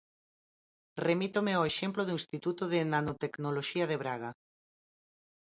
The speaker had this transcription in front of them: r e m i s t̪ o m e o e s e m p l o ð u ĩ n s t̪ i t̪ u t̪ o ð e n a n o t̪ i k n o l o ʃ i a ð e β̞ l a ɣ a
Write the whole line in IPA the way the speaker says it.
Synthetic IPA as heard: r e m i t̪ o m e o e ʃ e m p l o ð u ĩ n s t̪ i t̪ u t̪ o ð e n a n o t̪ e k n o l o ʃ i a ð e β̞ ɾ a ɣ a

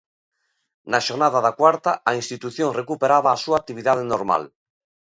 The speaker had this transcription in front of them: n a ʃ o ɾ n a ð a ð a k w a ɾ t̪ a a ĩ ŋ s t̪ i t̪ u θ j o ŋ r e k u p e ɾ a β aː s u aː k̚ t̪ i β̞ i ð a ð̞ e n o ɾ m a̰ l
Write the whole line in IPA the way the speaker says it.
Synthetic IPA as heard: n a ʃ o ɾ n a ð a ð a k w a ɾ t̪ a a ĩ n s t̪ i t̪ u θ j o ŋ r e k u p e ɾ a β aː s u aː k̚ t̪ i β̞ i ð a ð̞ e n o ɾ m a̰ l

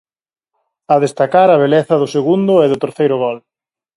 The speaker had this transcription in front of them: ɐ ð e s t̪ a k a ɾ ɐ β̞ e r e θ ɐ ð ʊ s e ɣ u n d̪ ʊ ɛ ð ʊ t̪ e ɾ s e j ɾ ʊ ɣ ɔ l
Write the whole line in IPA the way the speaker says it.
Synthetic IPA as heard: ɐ ð e s t̪ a k a ɾ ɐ β̞ e l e θ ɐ ð ʊ s e ɣ u n d̪ ʊ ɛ ð ʊ t̪ e ɾ θ e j ɾ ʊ ɣ ɔ l

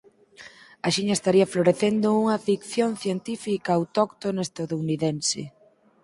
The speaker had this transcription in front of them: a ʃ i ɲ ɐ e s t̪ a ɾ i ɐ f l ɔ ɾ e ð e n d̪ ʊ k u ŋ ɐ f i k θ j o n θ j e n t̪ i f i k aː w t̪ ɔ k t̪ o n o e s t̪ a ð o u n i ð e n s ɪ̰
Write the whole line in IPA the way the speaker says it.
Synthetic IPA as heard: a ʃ i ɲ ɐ e s t̪ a ɾ i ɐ f l o ɾ e θ e n d̪ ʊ u ŋ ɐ f i k θ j o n θ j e n t̪ i f i k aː w t̪ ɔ k t̪ o n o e s t̪ a ð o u n i ð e n s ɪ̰

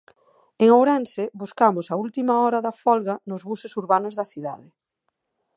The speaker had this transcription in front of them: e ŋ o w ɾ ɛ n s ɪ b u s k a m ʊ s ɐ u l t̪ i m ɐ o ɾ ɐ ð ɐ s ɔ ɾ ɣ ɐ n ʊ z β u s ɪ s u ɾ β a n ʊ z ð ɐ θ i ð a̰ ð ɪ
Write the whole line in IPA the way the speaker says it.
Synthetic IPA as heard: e ŋ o w ɾ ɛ n s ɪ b u s k a m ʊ s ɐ u l t̪ i m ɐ ɔ ɾ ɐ ð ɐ f ɔ l ɣ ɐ n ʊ z β u s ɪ s u ɾ β a n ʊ z ð ɐ θ i ð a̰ ð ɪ

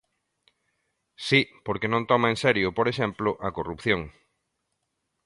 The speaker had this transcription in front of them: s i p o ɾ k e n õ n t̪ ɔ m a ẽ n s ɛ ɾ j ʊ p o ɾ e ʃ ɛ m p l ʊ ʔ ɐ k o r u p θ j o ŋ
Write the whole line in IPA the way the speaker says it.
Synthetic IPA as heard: s i p o ɾ k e n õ n t̪ ɔ m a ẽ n s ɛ ɾ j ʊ p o ɾ e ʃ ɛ m p l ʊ ʔ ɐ k o r u p θ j o ŋ

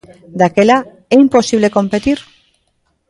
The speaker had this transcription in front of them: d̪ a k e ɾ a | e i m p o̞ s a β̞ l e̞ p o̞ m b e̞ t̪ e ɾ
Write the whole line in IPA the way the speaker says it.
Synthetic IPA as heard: d̪ a k e l a | e i m p o̞ s i β̞ l e̞ k o̞ m p e̞ t̪ i ɾ

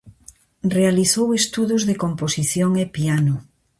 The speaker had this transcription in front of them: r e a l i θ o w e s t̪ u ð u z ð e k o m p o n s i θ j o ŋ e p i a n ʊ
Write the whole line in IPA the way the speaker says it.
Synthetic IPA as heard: r e a l i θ o w e s t̪ u ð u z ð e k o m p o s i θ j o ŋ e p i a n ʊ

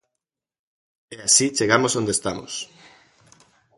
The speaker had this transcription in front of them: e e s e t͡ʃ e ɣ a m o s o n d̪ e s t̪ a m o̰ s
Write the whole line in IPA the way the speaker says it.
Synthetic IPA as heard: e a s i t͡ʃ e ɣ a m o s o n d̪ e s t̪ a m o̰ s

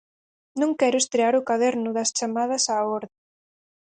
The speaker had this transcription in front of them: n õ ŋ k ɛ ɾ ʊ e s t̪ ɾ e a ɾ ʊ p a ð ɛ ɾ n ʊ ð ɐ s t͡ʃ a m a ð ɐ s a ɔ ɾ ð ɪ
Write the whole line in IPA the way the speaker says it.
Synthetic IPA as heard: n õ ŋ k ɛ ɾ ʊ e s t̪ ɾ e a ɾ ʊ k a ð ɛ ɾ n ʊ ð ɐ s t͡ʃ a m a ð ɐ s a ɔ ɾ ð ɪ

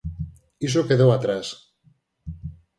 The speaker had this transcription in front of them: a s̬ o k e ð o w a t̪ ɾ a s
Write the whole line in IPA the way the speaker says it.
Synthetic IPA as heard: i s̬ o k e ð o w a t̪ ɾ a s

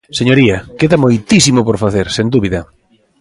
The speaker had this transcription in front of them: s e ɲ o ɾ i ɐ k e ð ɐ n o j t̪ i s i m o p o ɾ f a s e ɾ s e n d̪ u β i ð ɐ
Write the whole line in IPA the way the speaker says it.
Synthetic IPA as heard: s e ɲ o ɾ i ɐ k e ð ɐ m o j t̪ i s i m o p o ɾ f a θ e ɾ s e n d̪ u β i ð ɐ

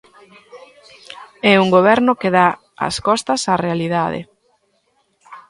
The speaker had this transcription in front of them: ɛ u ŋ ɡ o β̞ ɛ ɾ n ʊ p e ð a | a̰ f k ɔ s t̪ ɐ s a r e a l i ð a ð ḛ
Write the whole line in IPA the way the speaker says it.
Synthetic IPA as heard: ɛ u ŋ ɡ o β̞ ɛ ɾ n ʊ k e ð a | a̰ s k ɔ s t̪ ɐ s a r e a l i ð a ð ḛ

